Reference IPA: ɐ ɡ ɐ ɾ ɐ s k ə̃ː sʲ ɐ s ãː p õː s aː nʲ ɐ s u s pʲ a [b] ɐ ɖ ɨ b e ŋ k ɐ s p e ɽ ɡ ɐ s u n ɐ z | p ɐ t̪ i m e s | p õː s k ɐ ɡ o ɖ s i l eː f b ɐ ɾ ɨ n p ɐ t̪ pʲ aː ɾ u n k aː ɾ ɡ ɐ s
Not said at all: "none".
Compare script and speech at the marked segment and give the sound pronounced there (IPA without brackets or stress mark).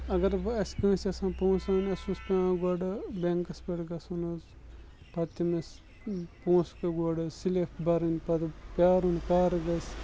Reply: ɡ